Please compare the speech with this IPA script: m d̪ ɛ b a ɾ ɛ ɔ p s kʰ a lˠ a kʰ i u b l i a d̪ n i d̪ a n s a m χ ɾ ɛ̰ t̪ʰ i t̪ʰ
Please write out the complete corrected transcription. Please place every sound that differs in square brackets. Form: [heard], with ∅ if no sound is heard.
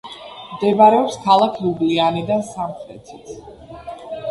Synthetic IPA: m d̪ ɛ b a ɾ ɛ ɔ p s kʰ a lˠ a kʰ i u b l i a [∅] n i d̪ a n s a m χ ɾ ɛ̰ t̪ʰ i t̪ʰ